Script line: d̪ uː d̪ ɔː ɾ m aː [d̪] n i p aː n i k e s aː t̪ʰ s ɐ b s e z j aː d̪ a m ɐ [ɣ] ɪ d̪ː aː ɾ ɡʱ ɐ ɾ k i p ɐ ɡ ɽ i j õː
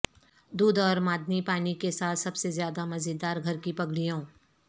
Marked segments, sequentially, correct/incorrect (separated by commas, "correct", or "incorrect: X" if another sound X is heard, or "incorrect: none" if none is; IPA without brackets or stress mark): correct, incorrect: z